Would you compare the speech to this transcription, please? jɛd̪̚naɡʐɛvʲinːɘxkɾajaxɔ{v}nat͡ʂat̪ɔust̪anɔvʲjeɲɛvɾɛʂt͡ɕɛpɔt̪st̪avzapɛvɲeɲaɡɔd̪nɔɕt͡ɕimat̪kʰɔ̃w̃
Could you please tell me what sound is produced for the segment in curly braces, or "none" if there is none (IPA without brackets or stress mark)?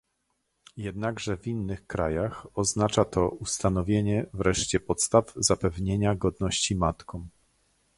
z